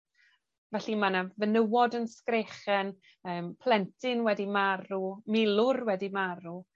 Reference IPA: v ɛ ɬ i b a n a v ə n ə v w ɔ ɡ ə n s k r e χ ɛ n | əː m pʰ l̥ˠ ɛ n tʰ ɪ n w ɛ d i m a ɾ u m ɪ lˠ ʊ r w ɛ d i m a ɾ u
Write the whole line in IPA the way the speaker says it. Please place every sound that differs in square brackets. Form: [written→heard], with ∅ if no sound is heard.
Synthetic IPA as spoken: v ɛ ɬ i [b→m] a n a v ə n ə [v→∅] w ɔ [ɡ→d] ə n s k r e χ ɛ n | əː m pʰ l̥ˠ ɛ n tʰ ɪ n w ɛ d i m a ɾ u m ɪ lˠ ʊ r w ɛ d i m a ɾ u